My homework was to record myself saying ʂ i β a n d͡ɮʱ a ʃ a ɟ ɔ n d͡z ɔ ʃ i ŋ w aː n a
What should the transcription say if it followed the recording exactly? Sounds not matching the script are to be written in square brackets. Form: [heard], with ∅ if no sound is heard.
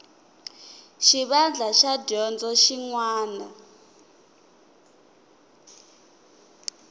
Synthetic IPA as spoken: [ʃ] i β a n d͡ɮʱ a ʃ a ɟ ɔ n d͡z ɔ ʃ i ŋ w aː n a